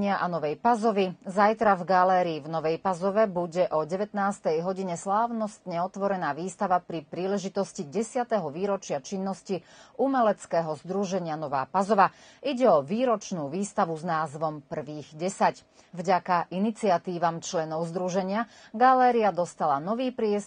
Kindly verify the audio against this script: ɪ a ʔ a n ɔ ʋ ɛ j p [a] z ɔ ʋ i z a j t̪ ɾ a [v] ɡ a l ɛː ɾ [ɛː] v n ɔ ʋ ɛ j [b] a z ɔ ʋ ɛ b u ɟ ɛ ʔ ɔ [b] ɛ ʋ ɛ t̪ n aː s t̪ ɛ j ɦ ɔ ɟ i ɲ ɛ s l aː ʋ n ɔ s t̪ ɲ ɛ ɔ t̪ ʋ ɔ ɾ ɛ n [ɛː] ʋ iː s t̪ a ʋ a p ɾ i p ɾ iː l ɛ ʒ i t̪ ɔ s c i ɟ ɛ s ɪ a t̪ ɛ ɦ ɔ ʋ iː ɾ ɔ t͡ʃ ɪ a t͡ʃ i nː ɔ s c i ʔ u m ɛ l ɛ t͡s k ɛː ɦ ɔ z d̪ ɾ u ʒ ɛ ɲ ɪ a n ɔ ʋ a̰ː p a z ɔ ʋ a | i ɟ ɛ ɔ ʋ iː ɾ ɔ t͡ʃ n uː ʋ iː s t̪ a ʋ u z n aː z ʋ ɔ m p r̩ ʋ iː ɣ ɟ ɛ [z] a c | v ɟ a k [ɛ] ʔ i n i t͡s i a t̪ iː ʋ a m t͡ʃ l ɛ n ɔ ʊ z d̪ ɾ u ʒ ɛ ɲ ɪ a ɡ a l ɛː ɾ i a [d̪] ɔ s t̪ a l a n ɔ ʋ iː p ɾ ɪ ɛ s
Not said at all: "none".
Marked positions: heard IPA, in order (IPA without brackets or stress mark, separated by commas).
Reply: a, v, iː, p, ɟ, aː, s, a, d̪